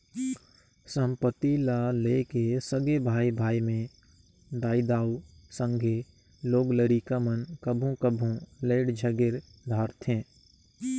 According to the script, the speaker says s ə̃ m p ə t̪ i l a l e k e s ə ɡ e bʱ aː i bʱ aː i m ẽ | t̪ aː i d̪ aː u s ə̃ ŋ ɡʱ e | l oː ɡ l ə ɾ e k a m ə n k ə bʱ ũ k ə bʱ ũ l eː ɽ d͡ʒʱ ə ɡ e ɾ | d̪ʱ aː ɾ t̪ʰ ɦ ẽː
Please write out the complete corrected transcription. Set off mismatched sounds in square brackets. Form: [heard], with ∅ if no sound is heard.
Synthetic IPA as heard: s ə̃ m p ə t̪ i l a l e k e s ə ɡ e bʱ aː i bʱ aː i m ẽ | [d̪] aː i d̪ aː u s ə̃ ŋ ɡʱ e | l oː ɡ l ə ɾ [i] k a m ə n k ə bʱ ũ k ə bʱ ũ l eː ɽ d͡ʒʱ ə ɡ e ɾ | d̪ʱ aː ɾ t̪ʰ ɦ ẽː

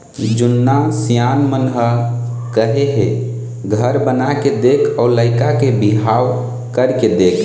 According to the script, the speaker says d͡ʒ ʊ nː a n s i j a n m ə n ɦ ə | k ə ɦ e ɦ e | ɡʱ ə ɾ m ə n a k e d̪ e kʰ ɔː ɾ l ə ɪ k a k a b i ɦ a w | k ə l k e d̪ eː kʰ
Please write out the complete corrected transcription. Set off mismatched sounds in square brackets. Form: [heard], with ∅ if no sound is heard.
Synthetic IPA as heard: d͡ʒ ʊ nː a [∅] s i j a n m ə n ɦ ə | k ə ɦ e ɦ e | ɡʱ ə ɾ [b] ə n a k e d̪ e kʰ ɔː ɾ l ə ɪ k a k [e] b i ɦ a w | k ə [ɾ] k e d̪ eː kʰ

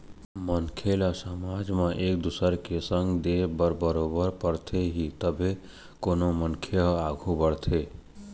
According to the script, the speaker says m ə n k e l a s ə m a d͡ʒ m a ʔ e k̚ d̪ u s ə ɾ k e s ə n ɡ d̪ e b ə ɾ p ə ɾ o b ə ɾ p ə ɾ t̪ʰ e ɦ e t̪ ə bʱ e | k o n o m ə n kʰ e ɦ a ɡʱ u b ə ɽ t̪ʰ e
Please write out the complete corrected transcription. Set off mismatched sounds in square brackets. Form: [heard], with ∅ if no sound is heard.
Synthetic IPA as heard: m ə n [kʰ] e l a s ə m a d͡ʒ m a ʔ e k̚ d̪ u s ə ɾ k e s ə [ŋ] ɡ d̪ e b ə ɾ [b] ə ɾ o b ə ɾ p ə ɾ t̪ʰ e ɦ [i] t̪ ə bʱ e | k o n o m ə n kʰ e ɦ a ɡʱ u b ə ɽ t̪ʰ e

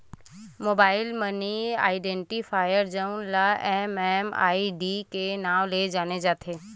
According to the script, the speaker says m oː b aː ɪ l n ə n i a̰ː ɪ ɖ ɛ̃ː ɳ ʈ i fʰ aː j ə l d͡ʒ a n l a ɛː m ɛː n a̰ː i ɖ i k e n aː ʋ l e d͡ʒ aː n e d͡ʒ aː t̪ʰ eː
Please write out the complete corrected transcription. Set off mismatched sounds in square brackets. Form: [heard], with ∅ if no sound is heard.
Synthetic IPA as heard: m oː b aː ɪ l [m] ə n i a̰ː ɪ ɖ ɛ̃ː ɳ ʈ i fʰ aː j ə [ɾ] d͡ʒ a n l a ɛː m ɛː [m] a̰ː i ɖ i k e n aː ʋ l e d͡ʒ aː n e d͡ʒ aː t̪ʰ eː

